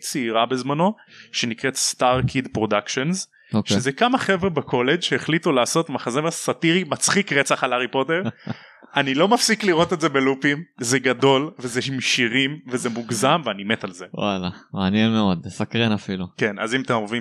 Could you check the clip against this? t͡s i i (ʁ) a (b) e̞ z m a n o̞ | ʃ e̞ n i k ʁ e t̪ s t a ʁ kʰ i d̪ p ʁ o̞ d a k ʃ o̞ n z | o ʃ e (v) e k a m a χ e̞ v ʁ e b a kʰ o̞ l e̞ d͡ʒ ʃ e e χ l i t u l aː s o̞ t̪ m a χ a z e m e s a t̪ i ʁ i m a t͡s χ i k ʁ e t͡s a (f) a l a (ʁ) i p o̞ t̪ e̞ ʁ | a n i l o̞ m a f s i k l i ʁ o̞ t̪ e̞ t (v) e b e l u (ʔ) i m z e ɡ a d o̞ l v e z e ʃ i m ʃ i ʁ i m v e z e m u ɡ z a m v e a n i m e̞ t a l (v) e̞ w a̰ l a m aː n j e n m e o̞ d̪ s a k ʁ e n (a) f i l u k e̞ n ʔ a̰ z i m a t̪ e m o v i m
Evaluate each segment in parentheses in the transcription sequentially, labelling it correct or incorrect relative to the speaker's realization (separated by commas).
correct, correct, incorrect, incorrect, correct, incorrect, incorrect, incorrect, correct